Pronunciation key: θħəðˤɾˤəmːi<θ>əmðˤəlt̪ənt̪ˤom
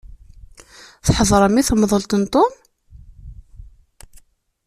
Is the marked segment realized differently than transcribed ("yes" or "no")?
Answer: no